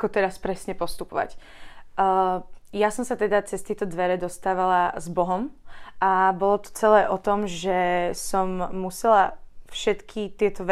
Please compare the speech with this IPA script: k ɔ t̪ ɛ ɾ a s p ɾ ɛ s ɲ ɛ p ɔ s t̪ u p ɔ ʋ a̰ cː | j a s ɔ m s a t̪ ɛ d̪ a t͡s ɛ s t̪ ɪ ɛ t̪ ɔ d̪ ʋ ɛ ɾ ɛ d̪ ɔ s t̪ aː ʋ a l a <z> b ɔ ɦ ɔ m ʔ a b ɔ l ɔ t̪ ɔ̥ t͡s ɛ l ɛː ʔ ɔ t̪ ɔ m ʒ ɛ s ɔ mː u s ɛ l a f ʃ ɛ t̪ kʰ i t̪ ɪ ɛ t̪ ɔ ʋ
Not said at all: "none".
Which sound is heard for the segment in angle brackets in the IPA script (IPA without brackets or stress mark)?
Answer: z